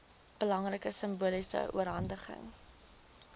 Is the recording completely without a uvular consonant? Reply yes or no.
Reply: no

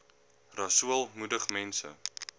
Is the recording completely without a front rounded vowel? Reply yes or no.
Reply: yes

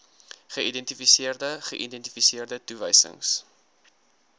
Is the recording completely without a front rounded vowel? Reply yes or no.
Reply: yes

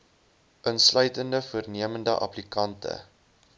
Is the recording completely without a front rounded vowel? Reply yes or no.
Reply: no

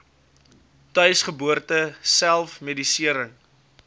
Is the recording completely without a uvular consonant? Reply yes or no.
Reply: no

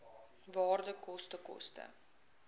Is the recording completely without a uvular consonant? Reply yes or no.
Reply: yes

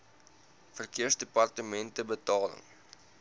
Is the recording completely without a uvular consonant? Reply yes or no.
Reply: yes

